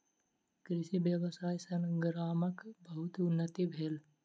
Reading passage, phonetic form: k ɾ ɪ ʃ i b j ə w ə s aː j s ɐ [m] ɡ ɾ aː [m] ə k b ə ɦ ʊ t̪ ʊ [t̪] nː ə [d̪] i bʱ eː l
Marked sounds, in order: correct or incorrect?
incorrect, correct, incorrect, incorrect

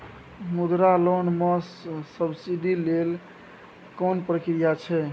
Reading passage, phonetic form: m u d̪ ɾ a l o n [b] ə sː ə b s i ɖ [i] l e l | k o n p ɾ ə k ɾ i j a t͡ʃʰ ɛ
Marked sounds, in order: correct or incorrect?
incorrect, correct

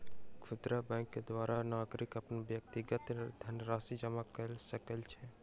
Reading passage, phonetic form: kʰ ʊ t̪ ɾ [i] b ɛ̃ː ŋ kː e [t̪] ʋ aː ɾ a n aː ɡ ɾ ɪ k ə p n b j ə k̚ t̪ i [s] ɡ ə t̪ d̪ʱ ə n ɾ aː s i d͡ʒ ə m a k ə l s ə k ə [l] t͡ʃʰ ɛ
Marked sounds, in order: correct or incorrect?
incorrect, incorrect, incorrect, correct

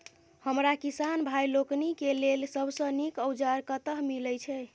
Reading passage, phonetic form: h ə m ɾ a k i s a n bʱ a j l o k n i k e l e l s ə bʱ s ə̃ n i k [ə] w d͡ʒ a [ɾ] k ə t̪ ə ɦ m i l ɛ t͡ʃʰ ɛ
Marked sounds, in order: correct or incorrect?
correct, correct

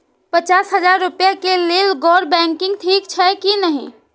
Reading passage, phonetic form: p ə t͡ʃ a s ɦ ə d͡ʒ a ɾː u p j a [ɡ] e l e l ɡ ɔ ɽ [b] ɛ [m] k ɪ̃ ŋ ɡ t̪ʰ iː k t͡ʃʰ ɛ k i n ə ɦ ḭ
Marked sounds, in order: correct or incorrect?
incorrect, correct, incorrect

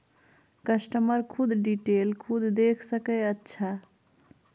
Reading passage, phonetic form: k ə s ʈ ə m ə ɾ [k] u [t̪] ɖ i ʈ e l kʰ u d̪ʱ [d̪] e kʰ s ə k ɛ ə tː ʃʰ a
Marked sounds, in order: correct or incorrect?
incorrect, incorrect, correct

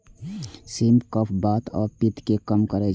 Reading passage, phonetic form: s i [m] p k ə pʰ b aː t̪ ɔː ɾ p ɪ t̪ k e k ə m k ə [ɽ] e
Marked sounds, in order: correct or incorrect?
correct, incorrect

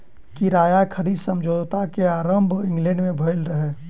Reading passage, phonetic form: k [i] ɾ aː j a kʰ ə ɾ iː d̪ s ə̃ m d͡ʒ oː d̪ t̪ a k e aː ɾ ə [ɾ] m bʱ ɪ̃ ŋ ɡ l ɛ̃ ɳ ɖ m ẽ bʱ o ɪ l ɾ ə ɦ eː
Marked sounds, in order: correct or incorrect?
correct, incorrect

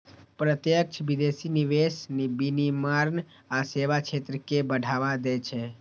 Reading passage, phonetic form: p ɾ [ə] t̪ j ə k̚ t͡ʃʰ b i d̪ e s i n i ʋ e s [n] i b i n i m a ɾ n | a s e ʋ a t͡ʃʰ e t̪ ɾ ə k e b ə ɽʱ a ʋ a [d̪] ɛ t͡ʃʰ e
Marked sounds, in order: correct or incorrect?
correct, correct, correct

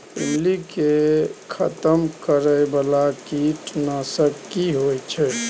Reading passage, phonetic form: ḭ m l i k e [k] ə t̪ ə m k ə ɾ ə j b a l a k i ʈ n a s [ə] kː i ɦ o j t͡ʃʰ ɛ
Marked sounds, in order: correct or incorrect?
incorrect, correct

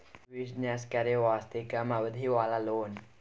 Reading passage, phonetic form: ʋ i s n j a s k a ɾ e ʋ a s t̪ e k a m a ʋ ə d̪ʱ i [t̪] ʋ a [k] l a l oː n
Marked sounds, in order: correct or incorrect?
incorrect, incorrect

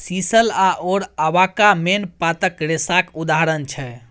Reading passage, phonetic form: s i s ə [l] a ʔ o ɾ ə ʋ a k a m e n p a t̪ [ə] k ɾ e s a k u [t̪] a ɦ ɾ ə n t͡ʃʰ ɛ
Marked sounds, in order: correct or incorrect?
correct, correct, incorrect

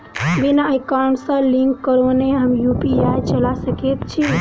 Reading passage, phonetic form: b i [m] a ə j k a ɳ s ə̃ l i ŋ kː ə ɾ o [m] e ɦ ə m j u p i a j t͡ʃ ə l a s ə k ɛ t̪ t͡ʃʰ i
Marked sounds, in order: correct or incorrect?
incorrect, incorrect

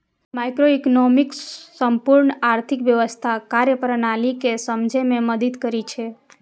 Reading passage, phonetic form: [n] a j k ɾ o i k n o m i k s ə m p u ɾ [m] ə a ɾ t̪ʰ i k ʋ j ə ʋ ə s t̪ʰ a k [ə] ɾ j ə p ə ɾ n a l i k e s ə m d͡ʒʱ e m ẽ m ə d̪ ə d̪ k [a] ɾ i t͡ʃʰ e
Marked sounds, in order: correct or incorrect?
incorrect, incorrect, incorrect, incorrect

